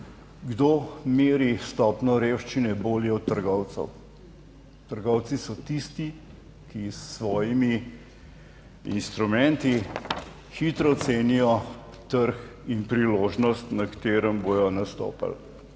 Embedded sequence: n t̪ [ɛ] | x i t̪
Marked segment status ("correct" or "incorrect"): incorrect